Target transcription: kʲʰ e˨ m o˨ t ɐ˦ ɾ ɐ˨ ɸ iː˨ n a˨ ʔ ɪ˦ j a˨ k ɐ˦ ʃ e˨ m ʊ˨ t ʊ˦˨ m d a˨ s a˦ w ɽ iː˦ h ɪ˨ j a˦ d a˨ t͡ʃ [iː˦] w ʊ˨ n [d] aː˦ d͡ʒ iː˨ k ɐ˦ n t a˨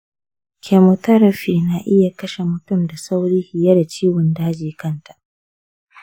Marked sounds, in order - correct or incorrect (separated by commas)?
correct, correct